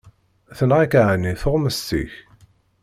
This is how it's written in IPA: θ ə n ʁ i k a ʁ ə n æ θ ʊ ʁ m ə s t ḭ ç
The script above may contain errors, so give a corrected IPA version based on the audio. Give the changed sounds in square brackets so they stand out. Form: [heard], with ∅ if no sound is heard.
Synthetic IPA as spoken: θ ə n ʁ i k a [ʕ] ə n [i] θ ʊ ʁ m ə s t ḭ ç